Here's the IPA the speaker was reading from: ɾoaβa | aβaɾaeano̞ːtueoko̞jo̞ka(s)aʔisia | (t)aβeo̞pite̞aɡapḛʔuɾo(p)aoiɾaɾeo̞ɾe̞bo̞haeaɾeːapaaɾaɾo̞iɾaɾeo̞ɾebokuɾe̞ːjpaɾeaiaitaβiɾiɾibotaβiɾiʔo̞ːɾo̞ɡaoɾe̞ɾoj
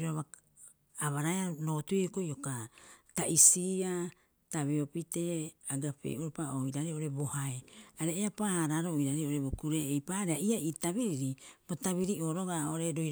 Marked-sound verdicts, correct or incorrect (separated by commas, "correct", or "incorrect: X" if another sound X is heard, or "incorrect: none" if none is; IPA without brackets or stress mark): incorrect: t, correct, correct